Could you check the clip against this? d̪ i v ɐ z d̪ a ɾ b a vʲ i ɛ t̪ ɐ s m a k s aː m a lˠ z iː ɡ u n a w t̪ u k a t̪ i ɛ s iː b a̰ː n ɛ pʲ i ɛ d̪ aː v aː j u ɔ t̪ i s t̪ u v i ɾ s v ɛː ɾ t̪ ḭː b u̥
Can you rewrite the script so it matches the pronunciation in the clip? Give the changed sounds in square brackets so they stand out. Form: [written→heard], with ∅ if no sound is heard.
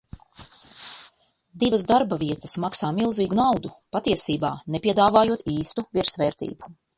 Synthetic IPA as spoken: d̪ i v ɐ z d̪ a ɾ b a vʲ i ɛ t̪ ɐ s m a k s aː m [a→i] lˠ z iː ɡ u n a w [t̪→d̪] u [k→p] a t̪ i ɛ s iː b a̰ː n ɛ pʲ i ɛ d̪ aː v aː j u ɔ t̪ [i→iː] s t̪ u v i ɾ s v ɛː ɾ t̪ ḭː b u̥